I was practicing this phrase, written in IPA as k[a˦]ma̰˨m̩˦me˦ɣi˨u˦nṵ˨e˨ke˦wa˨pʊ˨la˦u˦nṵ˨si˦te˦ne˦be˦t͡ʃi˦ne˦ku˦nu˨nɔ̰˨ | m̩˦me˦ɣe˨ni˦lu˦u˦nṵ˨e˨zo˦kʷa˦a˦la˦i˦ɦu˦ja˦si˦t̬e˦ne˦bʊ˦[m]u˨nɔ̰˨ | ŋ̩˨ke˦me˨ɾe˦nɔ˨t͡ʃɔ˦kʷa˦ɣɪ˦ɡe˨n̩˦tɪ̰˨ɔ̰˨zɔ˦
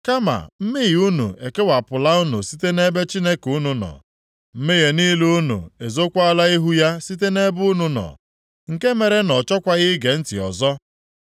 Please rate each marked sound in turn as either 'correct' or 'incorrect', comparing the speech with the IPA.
correct, incorrect

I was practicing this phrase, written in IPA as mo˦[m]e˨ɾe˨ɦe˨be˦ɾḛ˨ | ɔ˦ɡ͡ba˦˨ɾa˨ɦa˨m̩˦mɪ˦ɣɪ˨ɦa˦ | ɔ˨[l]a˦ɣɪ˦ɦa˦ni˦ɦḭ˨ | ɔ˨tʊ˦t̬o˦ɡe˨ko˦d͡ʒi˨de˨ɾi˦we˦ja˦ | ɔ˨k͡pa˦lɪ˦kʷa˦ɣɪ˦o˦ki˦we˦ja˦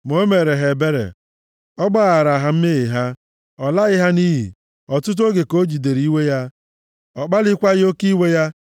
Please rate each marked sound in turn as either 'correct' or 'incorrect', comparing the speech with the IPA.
correct, correct

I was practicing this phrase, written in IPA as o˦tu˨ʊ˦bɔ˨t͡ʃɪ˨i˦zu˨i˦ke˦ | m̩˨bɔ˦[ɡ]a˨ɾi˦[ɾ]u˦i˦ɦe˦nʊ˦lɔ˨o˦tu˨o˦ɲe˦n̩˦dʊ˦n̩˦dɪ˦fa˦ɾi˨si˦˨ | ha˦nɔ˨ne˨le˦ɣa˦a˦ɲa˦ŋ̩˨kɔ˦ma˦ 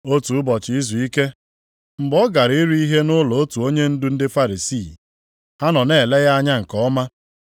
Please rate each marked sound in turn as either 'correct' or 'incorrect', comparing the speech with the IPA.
correct, correct

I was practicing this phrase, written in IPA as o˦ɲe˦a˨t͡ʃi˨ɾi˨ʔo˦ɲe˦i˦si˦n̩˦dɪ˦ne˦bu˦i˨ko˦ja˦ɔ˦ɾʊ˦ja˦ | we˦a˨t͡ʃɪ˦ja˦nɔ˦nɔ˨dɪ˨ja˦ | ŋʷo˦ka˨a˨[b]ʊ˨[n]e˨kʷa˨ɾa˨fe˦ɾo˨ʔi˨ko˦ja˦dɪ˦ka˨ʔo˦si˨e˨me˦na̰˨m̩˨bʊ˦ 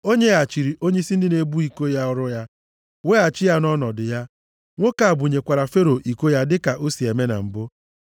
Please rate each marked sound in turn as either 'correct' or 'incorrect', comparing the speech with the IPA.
correct, incorrect

